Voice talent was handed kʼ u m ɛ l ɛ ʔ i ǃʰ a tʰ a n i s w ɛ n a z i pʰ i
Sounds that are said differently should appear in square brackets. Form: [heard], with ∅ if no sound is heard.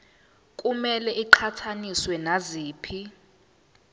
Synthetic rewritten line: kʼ u m ɛ l ɛ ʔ i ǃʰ a tʰ a n i s w ɛ n a z [iː] pʰ i